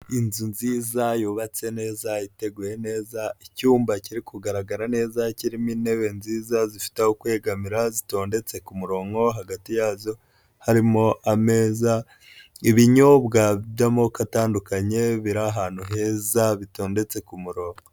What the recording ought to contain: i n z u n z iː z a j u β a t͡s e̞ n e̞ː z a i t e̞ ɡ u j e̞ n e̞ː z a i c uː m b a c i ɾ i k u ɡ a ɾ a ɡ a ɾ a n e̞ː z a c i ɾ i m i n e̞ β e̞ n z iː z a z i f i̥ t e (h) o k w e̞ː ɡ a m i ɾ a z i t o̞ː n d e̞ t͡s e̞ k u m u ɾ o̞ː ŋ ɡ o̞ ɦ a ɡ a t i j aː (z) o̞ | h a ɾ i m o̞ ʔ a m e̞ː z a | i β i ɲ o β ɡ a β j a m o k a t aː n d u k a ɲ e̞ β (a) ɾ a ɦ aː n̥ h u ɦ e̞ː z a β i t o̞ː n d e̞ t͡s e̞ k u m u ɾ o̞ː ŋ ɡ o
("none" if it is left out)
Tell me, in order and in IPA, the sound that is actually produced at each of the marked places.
h, z, i

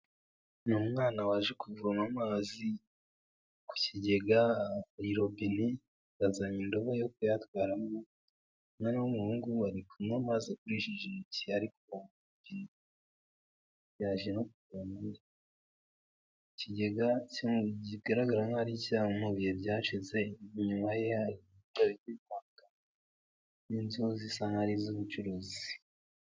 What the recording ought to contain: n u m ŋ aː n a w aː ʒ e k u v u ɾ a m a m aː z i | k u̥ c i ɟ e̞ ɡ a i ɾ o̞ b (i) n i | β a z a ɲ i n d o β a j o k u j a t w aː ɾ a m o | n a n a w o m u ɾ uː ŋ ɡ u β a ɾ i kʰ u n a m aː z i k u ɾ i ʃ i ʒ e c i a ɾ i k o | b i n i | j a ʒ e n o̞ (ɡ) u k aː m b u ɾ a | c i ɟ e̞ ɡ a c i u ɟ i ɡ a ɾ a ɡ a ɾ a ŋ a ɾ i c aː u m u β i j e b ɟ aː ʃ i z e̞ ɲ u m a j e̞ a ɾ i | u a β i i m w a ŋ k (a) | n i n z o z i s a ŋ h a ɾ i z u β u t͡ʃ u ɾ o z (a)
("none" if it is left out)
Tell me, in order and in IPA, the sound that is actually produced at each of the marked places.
i, k, a, i

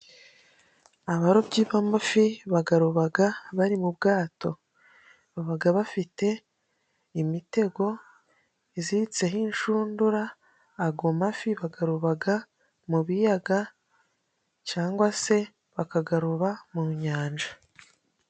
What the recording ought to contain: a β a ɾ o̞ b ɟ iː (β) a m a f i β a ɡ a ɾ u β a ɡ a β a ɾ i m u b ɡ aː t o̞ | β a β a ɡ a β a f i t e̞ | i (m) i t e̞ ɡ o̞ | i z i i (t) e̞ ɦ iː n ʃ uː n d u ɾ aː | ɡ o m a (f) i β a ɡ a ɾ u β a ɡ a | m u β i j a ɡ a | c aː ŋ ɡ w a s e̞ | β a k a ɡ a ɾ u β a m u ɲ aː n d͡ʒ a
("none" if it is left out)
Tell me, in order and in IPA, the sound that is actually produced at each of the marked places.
β, m, t͡s, f

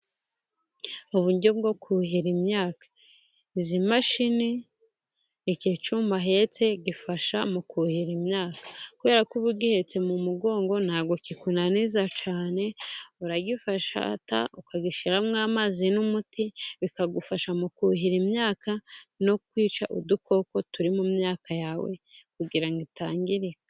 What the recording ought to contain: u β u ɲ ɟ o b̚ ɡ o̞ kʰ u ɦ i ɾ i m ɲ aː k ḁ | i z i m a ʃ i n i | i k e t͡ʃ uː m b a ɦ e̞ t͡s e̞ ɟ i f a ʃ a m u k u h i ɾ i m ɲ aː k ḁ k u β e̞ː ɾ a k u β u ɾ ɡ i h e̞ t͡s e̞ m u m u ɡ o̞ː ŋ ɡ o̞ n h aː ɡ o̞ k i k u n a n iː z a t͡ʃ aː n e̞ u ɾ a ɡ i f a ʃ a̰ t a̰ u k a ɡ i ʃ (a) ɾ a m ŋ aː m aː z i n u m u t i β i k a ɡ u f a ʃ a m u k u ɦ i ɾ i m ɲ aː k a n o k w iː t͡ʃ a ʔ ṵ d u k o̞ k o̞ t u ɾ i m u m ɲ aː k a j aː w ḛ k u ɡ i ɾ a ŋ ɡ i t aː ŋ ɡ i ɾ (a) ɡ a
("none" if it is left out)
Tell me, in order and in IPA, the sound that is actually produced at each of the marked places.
i, i

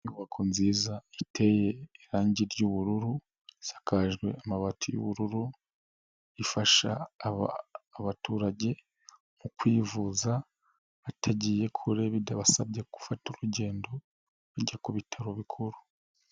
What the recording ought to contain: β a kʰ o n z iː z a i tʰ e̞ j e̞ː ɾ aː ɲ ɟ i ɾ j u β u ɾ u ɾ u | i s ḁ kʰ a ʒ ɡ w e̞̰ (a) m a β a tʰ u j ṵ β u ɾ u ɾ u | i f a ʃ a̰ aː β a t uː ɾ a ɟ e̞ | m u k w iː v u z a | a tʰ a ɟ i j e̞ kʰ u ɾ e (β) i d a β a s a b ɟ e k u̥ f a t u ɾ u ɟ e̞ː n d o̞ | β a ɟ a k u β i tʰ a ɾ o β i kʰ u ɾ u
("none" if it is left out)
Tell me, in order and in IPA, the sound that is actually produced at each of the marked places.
a, β

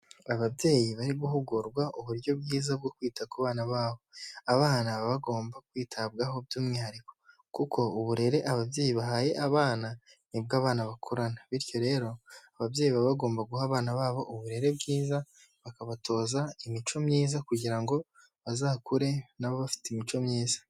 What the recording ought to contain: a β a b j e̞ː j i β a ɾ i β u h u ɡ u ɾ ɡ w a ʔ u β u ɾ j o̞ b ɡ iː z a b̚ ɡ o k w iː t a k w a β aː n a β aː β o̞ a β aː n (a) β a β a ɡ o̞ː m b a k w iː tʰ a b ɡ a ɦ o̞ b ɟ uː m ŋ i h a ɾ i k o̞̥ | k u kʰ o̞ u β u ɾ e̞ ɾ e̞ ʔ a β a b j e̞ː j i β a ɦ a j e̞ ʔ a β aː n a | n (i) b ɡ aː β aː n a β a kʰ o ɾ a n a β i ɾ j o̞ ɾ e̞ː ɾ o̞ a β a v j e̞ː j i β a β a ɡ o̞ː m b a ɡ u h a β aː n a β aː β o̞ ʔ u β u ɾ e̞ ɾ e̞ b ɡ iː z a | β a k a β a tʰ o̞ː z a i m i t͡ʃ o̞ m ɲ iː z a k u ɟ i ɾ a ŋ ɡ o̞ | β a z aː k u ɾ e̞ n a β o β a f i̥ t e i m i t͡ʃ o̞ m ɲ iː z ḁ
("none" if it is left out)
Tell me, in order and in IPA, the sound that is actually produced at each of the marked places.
a, i

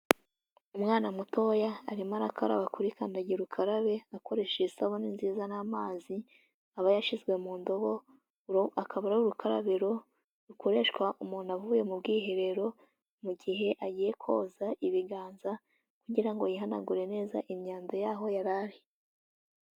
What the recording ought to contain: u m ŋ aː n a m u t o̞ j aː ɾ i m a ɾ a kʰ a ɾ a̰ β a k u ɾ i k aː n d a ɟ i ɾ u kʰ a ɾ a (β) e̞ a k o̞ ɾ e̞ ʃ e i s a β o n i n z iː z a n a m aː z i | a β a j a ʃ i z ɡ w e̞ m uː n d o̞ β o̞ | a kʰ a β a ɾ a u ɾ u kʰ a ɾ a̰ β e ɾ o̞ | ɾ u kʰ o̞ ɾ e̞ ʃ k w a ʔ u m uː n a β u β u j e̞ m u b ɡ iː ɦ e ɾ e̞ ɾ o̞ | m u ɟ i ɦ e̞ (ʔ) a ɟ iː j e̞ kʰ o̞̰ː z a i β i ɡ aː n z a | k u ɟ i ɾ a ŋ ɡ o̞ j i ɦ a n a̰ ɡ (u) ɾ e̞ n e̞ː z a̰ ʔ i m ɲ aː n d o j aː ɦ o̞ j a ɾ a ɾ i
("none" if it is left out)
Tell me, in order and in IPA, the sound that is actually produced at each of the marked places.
β, ʔ, u

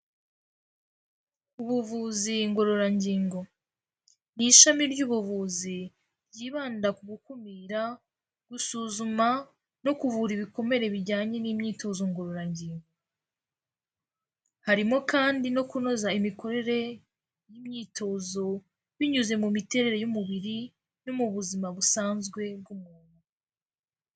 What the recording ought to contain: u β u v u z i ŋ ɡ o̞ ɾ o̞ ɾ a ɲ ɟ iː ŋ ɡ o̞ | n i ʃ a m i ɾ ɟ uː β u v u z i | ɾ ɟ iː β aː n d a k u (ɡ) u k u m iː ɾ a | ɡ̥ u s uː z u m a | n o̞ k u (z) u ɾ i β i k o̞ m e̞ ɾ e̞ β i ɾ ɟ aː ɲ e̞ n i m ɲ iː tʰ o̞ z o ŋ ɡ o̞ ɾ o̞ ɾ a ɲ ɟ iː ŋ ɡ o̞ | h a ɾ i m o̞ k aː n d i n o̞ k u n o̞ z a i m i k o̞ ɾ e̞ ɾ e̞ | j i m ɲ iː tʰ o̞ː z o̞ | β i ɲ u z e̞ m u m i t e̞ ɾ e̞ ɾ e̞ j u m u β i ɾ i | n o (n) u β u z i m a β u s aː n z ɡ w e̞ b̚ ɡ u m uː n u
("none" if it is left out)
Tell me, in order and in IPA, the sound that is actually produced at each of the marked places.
ɡ, v, m

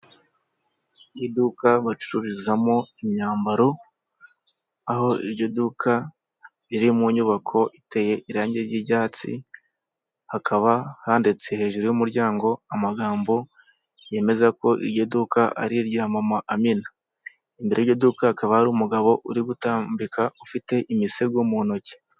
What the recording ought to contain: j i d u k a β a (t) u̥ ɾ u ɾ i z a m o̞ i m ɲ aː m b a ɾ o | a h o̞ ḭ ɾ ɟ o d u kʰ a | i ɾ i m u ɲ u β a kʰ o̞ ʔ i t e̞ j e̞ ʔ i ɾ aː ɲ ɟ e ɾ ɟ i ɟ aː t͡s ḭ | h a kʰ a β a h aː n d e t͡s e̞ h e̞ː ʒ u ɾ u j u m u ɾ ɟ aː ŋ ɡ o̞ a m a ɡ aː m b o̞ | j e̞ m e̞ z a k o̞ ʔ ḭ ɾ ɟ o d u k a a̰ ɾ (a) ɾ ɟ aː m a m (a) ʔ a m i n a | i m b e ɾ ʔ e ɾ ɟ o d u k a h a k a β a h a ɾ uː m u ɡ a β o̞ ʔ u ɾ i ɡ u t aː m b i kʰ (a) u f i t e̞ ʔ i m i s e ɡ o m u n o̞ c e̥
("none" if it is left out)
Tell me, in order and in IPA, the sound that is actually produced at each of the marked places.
t͡ʃ, i, a, a

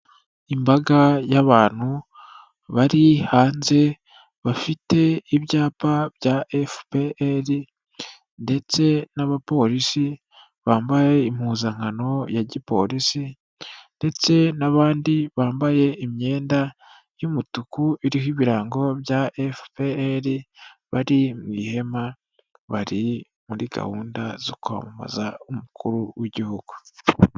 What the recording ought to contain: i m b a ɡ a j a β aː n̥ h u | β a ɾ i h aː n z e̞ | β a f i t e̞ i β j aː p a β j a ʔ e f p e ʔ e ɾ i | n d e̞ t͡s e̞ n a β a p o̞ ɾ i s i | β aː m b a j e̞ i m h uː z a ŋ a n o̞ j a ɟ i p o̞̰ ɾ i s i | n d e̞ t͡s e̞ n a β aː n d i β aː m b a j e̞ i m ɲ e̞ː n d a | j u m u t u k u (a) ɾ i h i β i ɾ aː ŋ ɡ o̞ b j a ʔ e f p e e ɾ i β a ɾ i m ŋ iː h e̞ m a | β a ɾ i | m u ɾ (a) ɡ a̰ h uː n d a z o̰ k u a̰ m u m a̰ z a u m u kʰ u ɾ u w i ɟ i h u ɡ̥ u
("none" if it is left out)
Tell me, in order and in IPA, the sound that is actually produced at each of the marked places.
i, i

